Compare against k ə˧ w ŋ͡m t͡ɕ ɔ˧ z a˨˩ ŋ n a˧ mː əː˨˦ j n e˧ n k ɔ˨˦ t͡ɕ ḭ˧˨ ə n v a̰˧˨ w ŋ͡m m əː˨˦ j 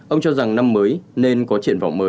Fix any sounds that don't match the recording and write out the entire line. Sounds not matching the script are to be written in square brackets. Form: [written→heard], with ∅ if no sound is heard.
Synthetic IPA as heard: [k→ʔ] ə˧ w ŋ͡m t͡ɕ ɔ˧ z a˨˩ ŋ n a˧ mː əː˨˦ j n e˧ n k ɔ˨˦ t͡ɕ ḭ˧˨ ə n v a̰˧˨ w ŋ͡m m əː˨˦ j